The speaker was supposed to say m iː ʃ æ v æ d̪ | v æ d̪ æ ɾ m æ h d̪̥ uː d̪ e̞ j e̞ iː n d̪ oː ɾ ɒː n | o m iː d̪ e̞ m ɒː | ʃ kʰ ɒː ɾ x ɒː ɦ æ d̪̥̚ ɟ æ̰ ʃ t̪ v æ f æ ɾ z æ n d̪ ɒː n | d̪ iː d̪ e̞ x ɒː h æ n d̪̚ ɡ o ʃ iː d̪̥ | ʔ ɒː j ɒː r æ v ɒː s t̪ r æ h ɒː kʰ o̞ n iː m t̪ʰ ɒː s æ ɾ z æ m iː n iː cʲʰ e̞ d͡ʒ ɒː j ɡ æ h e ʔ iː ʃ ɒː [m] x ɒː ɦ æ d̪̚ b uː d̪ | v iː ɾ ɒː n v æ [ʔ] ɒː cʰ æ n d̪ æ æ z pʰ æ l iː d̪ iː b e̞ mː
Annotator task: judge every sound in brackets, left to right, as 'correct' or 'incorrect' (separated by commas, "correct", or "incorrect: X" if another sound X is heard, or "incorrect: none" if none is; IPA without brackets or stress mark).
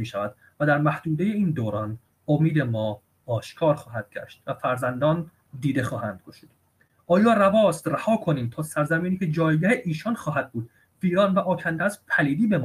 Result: incorrect: n, correct